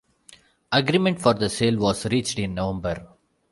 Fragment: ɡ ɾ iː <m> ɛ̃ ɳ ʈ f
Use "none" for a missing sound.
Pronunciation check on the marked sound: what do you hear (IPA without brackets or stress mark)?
m